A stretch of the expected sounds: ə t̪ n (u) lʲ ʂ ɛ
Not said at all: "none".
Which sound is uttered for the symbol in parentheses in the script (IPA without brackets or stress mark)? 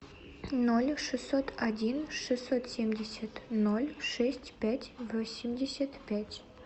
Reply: o